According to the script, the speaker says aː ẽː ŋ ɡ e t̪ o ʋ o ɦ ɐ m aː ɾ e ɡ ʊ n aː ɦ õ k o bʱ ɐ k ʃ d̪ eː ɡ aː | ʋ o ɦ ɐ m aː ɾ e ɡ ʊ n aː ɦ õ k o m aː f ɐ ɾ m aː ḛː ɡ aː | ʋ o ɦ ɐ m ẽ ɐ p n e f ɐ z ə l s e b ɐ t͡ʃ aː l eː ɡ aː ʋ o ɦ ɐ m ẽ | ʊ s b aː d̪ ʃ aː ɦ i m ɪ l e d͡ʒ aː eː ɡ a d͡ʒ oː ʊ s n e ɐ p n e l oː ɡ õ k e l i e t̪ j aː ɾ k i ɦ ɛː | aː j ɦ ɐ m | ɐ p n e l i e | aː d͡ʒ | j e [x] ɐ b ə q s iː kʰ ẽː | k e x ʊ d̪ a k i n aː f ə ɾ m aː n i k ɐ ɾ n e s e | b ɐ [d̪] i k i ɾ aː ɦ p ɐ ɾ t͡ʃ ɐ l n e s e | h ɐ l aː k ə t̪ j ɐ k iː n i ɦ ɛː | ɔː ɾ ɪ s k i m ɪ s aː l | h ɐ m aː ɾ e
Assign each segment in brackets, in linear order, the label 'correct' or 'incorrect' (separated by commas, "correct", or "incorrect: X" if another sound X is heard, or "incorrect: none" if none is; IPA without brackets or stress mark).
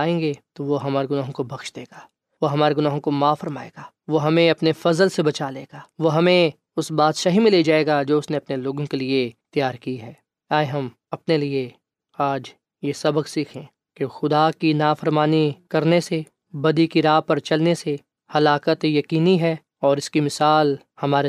incorrect: s, correct